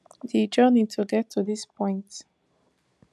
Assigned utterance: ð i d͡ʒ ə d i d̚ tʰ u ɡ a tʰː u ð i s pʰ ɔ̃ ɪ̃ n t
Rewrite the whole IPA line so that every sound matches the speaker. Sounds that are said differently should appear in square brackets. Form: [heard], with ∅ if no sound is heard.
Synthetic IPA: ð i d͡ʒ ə [n] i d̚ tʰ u ɡ [ɛ] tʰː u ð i s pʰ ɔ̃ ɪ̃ n t